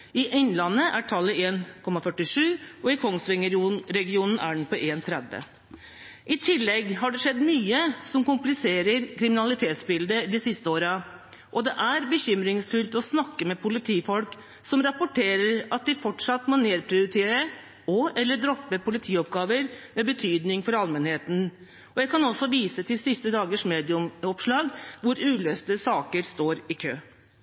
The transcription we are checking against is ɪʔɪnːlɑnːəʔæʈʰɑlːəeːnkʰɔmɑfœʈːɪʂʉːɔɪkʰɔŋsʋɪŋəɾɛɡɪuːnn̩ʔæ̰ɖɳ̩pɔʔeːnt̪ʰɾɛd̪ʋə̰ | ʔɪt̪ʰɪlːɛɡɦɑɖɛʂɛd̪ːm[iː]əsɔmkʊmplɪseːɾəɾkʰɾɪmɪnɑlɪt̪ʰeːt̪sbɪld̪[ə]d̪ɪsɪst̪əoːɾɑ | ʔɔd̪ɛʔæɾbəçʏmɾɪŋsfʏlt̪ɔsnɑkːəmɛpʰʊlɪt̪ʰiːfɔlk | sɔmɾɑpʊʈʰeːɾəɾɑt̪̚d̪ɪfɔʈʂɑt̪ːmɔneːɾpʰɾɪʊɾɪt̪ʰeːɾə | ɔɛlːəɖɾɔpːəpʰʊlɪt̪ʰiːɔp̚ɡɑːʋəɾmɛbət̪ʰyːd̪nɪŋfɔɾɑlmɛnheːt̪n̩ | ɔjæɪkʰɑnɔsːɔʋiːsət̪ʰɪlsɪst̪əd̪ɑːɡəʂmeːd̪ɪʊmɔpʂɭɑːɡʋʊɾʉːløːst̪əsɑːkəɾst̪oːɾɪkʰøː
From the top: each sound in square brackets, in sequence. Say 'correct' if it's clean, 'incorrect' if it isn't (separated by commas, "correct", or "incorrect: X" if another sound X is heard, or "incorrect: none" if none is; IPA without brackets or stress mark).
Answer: incorrect: yː, correct